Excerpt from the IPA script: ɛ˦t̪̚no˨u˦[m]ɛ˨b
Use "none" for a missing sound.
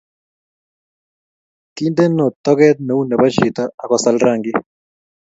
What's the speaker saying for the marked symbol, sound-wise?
n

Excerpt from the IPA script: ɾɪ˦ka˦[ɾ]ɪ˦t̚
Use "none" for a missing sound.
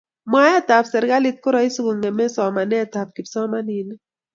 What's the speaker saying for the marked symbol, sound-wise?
l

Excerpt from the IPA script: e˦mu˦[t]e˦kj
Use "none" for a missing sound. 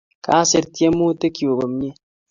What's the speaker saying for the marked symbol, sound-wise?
t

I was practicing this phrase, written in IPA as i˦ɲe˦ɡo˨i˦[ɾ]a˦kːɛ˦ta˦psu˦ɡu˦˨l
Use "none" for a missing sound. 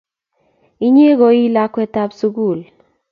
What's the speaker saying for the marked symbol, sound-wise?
l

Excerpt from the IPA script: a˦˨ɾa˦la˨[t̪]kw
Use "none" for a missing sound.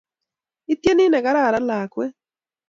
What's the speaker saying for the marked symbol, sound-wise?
none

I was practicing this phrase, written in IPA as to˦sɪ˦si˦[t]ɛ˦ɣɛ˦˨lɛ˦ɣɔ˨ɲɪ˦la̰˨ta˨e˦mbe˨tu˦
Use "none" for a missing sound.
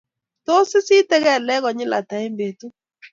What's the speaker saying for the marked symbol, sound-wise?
t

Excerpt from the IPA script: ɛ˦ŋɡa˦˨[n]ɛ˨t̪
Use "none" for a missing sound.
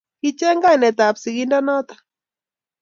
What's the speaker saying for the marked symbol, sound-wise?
n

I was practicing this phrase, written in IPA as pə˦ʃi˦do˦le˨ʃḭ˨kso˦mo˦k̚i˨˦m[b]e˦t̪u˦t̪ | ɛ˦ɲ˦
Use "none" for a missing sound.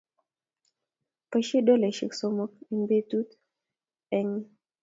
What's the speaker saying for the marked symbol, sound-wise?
b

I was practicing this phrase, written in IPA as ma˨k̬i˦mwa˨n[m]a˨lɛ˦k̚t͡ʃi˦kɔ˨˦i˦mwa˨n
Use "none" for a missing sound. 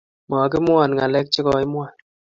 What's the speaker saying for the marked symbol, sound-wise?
ŋ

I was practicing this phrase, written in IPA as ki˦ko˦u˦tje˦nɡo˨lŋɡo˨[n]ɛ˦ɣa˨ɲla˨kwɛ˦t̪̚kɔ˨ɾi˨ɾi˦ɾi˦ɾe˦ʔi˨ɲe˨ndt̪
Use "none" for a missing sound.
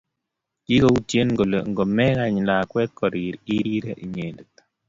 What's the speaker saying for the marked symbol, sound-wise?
m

